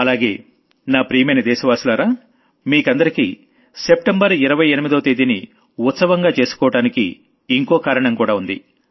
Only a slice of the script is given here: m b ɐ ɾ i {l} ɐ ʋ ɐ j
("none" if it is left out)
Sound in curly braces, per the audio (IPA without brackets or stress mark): ɾ